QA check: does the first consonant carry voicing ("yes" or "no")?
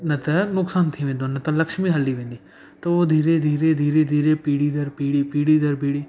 yes